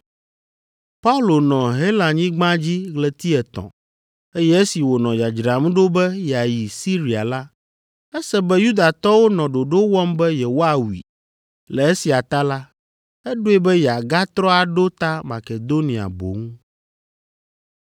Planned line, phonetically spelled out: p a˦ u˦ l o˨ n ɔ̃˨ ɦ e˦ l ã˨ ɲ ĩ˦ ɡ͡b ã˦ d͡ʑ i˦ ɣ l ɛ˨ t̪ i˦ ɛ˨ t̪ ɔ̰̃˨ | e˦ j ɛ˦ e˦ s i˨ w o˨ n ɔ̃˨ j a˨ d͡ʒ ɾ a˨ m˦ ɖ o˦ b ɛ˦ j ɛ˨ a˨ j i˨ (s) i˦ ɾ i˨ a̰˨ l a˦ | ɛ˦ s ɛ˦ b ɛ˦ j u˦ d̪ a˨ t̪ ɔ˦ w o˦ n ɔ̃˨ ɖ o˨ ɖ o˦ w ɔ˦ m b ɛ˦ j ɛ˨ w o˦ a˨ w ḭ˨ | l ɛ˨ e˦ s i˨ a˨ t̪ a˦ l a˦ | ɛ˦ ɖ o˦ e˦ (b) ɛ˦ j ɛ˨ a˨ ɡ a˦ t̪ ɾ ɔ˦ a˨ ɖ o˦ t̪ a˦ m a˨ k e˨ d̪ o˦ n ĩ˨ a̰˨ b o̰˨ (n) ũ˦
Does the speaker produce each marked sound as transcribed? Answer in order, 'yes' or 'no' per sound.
yes, yes, no

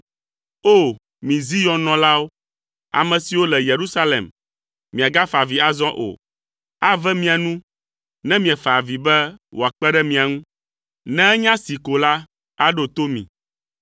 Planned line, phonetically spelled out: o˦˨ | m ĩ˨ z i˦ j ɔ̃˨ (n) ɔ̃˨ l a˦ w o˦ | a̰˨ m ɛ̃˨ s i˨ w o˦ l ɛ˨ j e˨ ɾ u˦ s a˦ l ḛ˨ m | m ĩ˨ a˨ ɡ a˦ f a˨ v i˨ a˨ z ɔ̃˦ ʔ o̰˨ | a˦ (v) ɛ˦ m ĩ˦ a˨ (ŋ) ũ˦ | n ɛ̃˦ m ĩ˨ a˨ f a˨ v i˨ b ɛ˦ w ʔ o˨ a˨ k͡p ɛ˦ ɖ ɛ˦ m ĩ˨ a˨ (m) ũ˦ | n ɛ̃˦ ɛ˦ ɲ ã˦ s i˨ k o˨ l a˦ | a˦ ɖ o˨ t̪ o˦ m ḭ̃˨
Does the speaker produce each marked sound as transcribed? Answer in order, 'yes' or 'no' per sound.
yes, yes, no, no

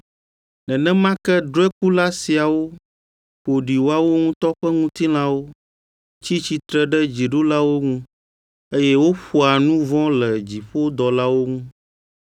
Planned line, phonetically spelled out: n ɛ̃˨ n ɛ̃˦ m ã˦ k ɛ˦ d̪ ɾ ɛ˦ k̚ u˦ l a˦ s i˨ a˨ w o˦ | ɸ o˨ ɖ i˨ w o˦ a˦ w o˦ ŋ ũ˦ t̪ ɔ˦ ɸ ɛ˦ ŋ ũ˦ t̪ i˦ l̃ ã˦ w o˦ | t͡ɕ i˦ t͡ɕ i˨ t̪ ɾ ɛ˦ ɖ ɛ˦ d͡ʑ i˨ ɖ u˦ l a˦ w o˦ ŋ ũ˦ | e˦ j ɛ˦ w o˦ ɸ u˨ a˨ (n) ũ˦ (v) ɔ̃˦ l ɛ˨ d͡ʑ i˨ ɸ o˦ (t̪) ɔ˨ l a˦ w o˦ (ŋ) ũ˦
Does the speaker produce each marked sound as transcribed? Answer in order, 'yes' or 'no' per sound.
yes, yes, no, yes

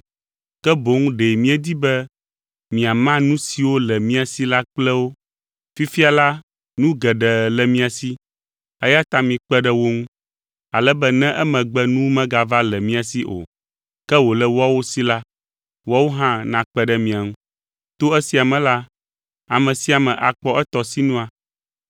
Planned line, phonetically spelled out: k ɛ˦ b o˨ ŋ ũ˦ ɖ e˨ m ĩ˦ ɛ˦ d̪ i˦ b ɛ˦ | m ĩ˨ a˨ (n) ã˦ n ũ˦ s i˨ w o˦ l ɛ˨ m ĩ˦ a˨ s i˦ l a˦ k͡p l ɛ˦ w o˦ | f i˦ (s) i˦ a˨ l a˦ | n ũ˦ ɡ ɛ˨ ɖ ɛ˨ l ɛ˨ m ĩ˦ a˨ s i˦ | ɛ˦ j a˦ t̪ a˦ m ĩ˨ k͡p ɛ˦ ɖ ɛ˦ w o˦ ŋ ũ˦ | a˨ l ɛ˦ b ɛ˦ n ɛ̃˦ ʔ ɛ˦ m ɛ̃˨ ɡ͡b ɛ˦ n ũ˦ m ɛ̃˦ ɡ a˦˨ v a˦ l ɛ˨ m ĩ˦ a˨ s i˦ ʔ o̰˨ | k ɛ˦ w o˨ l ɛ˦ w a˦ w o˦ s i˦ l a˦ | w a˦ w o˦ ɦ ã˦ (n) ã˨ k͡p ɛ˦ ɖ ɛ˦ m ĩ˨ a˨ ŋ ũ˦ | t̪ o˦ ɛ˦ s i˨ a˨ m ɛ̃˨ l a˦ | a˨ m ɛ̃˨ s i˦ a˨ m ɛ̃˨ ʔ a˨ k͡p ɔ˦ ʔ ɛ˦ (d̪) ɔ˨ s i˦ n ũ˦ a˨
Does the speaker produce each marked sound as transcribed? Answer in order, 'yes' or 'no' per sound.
no, no, yes, no

